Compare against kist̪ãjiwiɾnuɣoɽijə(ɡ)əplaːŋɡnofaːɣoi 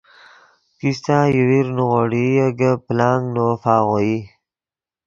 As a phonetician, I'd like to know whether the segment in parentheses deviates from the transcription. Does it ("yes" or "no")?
no